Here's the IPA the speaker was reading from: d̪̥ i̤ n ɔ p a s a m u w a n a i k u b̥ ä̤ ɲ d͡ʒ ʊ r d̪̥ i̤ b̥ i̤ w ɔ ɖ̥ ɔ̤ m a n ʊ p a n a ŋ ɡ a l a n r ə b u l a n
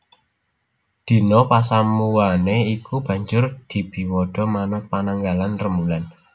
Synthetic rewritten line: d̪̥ i̤ n ɔ p a s a m u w a n e i k u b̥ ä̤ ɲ d͡ʒ ʊ r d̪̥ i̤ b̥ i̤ w ɔ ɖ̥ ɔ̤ m a n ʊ p a n a ŋ ɡ a l a n r ə m u l a n